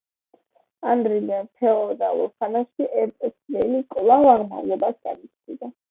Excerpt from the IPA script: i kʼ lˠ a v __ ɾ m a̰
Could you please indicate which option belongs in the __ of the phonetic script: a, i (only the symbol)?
a